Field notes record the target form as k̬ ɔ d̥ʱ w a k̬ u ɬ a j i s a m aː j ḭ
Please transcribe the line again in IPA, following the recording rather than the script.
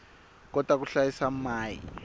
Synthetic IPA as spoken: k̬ ɔ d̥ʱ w a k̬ u ɬ a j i s a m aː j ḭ